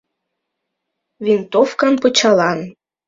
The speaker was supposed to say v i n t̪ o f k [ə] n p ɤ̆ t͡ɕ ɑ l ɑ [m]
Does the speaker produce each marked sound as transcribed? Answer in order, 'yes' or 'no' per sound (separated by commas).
no, no